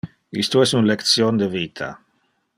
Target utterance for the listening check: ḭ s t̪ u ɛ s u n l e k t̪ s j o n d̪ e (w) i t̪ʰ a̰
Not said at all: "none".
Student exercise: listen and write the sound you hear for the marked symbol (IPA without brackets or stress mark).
v